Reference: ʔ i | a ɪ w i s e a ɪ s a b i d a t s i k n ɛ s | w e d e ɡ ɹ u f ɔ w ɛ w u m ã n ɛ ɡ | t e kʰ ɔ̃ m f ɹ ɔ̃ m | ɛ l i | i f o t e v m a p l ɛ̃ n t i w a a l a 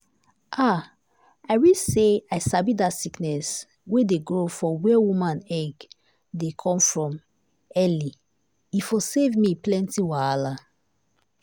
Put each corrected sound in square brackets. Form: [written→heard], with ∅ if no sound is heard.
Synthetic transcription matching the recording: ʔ [i→a] | a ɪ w i s e a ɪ s a b i d a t s i k n ɛ s | w e d e ɡ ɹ [u→o] f ɔ w ɛ w u m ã n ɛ ɡ | [t→d] e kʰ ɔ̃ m f ɹ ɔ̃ m | ɛ l i | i f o [t→s] e v m [a→i] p l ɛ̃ n t i w a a l a